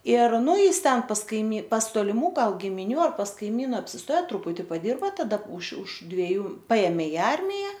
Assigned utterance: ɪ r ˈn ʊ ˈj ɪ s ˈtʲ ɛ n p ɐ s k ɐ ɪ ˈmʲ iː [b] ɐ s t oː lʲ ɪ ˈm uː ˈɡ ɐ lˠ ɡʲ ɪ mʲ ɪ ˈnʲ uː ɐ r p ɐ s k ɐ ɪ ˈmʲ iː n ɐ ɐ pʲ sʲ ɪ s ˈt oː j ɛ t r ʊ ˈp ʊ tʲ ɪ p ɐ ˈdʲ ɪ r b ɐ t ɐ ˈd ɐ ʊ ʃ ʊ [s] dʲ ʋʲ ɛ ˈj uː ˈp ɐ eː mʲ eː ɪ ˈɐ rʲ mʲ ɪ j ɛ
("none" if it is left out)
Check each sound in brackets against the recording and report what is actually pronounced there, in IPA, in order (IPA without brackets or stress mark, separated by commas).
p, ʃ